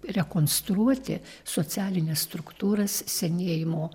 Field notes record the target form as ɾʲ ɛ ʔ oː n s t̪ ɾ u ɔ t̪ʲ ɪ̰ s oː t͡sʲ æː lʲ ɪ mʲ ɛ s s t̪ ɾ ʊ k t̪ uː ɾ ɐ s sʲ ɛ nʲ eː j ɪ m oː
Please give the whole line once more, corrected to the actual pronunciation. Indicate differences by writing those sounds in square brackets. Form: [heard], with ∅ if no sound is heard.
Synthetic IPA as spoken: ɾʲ ɛ [k] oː n s t̪ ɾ u ɔ t̪ʲ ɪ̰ s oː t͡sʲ æː lʲ ɪ [nʲ] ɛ s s t̪ ɾ ʊ k t̪ uː ɾ ɐ s sʲ ɛ nʲ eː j ɪ m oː